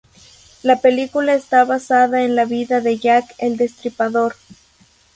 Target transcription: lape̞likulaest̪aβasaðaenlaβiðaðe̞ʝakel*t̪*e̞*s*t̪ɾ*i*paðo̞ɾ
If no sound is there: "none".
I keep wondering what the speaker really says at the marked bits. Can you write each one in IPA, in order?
d̪, s, i

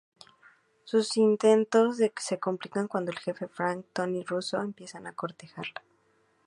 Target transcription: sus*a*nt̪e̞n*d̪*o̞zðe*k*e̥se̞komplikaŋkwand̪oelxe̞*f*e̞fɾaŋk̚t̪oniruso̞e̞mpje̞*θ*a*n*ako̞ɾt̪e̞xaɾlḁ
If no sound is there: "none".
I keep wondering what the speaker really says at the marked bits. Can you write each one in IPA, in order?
i, t̪, k, f, s, n

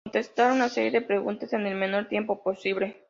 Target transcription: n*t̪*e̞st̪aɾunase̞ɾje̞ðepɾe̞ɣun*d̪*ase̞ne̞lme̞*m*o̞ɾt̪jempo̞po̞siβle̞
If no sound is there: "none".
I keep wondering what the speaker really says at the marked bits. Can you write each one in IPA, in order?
t̪, t̪, n

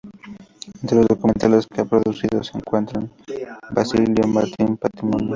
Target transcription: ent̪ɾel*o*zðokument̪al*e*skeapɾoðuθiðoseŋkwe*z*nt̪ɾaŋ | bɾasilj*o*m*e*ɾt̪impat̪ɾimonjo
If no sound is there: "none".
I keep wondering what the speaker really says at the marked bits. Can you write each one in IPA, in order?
o, e, none, o, a

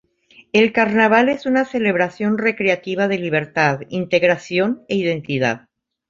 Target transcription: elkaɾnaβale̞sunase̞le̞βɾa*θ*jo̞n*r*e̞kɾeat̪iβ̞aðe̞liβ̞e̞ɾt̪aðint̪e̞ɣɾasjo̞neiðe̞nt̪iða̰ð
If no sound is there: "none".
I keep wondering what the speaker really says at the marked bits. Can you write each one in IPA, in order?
s, r

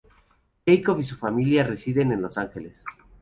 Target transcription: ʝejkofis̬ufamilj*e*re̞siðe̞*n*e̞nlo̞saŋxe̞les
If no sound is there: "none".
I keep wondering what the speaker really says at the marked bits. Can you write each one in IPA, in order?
a, n

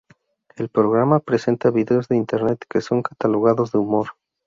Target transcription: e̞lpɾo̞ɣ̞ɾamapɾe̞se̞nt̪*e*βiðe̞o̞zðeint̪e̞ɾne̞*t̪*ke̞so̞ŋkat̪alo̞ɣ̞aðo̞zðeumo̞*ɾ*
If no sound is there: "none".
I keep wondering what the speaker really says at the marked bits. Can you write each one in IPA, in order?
a, t̪, ɾ

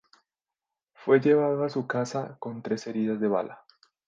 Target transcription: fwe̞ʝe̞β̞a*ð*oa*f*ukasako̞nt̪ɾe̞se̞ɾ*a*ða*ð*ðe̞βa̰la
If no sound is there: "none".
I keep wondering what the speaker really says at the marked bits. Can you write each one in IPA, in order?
ð, s, i, z

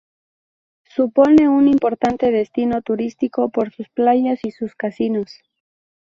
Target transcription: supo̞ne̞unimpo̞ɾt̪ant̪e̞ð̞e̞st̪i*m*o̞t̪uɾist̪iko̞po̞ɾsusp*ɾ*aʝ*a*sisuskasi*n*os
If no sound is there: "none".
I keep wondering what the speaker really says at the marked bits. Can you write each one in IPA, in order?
n, l, a, n

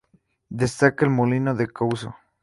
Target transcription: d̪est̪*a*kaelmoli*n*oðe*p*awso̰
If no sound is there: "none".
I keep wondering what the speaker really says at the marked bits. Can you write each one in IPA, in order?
a, n, k

